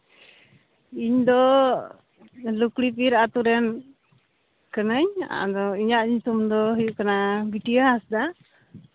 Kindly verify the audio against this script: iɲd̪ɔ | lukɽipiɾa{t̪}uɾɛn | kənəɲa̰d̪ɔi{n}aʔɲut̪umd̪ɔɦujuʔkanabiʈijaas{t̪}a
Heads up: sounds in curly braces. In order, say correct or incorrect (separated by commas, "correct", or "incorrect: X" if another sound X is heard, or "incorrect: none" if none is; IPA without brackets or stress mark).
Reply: correct, incorrect: ɲ, incorrect: d̪